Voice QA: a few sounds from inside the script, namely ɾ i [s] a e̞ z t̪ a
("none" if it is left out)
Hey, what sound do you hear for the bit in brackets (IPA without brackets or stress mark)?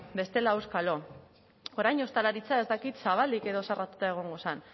t͡s